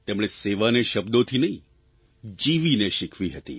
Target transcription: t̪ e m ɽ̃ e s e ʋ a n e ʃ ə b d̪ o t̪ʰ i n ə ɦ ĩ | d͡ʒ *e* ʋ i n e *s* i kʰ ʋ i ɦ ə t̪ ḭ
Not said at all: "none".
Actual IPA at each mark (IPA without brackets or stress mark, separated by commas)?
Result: i, ʃ